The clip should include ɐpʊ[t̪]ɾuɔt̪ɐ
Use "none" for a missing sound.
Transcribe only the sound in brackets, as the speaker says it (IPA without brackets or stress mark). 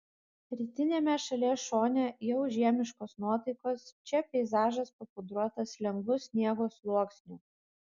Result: d̪